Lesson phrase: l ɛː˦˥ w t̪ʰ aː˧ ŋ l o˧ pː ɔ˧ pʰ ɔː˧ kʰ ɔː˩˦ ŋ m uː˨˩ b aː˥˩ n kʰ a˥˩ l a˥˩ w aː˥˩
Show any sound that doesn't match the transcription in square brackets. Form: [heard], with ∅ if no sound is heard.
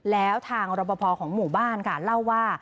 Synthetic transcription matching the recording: l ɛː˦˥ w t̪ʰ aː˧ ŋ [ɾ] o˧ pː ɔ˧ pʰ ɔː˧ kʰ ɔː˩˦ ŋ m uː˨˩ b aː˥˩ n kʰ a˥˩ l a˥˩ [wː] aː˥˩

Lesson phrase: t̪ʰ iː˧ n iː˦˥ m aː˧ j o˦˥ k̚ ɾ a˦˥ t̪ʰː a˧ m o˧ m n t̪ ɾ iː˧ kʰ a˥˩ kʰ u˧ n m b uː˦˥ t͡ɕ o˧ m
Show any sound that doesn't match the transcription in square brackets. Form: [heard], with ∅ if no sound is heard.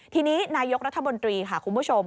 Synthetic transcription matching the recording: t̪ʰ iː˧ n iː˦˥ [n] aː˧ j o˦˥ k̚ ɾ a˦˥ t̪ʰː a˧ m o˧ [∅] n t̪ ɾ iː˧ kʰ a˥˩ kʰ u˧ n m b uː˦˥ [t͡ɕʰ] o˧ m

